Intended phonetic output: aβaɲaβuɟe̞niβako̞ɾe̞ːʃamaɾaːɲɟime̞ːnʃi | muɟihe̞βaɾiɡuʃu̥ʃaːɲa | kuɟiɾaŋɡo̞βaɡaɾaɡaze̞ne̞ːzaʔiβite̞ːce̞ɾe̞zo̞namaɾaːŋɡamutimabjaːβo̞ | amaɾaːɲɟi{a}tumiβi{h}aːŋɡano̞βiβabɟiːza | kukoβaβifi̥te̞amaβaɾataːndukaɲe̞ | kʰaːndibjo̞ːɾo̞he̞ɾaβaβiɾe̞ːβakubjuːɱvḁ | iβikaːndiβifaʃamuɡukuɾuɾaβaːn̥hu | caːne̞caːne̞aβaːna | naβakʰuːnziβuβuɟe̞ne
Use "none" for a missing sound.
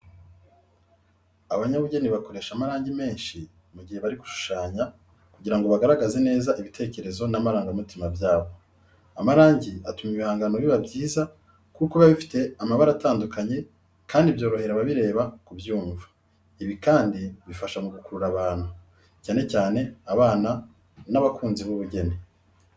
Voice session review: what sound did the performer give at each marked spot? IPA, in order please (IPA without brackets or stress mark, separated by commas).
a, h